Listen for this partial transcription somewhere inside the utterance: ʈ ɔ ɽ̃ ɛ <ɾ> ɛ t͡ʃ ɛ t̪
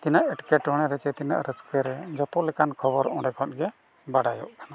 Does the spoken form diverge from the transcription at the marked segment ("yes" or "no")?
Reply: no